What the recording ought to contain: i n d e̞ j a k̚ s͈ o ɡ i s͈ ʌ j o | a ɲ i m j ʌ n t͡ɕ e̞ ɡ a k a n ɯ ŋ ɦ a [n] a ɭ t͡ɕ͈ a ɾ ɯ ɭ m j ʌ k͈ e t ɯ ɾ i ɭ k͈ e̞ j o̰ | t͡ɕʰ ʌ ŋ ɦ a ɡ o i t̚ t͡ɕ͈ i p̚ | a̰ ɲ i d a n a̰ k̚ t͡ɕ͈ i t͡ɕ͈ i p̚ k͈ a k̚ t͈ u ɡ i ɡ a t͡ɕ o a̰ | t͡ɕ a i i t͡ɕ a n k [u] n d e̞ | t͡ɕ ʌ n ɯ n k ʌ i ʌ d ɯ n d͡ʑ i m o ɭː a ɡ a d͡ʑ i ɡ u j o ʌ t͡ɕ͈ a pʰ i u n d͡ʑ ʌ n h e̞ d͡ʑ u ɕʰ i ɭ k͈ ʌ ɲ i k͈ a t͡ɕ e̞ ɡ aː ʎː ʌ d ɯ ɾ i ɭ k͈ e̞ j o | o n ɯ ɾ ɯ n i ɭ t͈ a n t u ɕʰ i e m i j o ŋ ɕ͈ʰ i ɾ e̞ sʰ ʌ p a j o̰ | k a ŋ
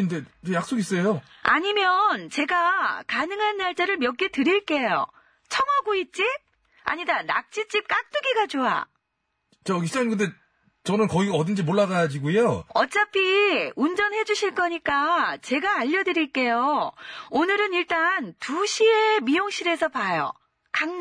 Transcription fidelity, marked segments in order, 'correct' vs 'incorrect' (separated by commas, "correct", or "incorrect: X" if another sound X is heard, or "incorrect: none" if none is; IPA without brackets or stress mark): incorrect: nː, incorrect: ɯ